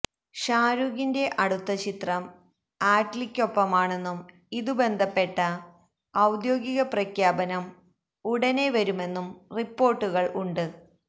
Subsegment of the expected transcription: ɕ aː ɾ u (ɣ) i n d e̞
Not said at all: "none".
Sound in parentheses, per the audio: ɣ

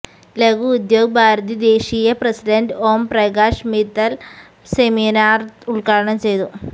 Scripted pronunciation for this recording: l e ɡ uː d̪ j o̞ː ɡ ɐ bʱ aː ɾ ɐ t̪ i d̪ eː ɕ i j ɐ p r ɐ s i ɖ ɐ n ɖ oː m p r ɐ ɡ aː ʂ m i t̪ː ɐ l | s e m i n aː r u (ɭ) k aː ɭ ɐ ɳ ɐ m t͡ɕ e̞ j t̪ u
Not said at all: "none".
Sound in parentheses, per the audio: ɭ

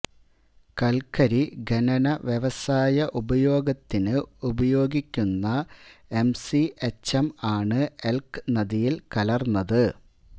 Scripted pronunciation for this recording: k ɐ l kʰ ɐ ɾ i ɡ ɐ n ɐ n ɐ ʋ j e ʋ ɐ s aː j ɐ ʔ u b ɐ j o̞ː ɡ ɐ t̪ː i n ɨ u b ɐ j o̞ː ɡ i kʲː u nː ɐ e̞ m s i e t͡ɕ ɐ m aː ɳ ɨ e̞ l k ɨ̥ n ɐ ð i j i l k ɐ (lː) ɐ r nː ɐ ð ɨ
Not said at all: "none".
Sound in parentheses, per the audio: l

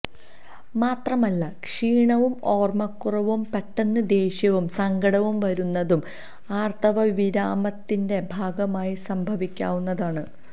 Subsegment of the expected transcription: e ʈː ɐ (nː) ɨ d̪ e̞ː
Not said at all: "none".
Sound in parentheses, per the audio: nː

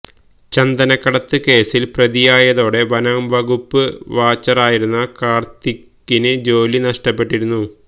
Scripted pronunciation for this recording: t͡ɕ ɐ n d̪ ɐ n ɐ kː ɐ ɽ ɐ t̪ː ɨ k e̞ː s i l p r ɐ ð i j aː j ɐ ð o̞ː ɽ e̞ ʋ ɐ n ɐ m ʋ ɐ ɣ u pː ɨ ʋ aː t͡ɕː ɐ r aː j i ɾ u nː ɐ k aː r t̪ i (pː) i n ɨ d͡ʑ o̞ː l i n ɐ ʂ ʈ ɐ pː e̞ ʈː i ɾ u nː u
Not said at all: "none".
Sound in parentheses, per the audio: kː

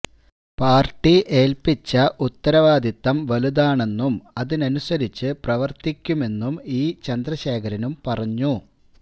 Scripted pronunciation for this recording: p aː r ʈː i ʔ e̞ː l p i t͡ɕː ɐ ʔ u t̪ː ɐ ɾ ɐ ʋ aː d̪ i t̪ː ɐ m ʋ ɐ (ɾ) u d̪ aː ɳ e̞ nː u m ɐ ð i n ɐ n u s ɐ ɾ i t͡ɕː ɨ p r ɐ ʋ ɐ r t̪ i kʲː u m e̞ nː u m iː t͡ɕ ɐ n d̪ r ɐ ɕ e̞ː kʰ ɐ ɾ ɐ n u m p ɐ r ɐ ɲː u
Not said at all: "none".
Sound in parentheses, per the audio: l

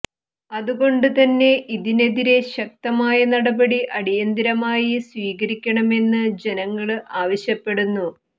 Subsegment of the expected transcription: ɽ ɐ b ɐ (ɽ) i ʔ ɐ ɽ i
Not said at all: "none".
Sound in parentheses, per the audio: ɽ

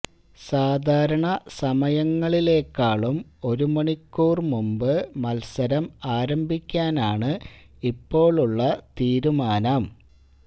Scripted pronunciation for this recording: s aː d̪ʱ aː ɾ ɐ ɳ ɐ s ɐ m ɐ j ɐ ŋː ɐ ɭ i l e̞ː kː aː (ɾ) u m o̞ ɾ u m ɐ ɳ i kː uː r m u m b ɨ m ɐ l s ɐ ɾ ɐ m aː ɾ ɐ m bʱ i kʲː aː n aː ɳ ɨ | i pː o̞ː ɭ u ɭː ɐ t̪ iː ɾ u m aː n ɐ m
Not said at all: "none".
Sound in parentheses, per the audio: ɭ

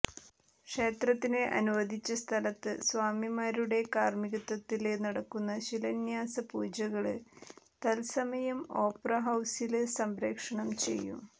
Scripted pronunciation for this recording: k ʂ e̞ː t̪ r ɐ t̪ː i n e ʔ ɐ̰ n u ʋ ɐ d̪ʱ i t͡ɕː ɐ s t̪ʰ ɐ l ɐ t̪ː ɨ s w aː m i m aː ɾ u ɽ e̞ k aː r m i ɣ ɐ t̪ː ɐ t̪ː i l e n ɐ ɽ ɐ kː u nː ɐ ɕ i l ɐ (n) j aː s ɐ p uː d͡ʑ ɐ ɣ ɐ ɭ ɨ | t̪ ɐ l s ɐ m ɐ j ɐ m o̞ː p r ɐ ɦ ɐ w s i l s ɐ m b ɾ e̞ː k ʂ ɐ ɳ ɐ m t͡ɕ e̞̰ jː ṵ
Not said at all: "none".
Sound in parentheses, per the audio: n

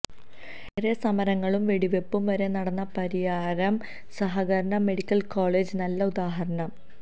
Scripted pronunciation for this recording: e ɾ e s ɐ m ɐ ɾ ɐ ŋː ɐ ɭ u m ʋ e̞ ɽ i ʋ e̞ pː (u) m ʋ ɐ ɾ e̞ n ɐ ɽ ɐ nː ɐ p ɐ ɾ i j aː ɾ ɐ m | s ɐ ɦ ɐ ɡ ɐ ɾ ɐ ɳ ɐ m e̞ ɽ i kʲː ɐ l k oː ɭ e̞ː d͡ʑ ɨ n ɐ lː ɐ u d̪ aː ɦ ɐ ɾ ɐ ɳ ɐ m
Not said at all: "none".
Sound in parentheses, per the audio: u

